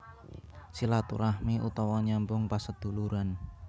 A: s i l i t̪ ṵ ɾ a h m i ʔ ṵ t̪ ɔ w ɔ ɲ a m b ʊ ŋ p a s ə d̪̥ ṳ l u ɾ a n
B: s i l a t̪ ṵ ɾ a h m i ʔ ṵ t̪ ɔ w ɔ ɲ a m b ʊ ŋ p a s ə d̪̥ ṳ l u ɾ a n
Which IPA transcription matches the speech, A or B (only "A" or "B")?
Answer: B